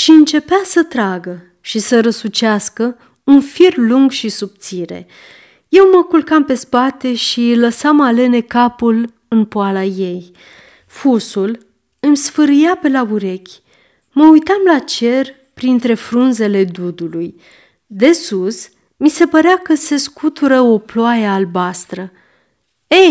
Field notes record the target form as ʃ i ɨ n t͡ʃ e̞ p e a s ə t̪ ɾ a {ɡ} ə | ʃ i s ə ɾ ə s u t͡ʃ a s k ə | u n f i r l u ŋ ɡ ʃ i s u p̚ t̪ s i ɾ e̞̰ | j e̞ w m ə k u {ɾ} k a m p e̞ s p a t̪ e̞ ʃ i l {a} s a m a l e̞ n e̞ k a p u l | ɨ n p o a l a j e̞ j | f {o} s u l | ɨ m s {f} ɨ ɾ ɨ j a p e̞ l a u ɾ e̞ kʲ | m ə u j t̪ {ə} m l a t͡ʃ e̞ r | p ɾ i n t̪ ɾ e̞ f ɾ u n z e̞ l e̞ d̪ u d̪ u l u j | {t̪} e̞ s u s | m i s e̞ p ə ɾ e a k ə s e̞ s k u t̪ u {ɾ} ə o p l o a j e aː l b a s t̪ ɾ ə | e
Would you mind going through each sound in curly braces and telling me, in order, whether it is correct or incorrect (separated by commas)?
correct, incorrect, incorrect, incorrect, correct, incorrect, incorrect, correct